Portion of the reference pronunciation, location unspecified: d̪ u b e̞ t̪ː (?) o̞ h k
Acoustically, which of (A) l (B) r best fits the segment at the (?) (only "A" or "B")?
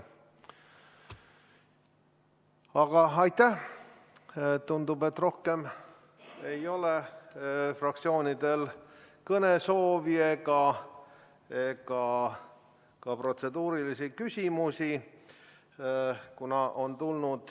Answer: B